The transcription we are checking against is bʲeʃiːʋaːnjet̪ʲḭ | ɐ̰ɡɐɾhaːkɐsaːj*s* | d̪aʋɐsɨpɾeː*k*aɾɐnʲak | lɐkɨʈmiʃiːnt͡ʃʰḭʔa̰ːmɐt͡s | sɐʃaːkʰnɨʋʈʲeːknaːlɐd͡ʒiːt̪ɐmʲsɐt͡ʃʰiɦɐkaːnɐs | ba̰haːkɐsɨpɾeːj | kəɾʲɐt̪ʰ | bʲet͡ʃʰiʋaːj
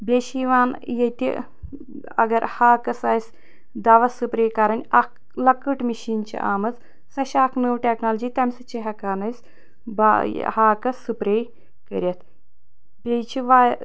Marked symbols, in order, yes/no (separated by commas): yes, yes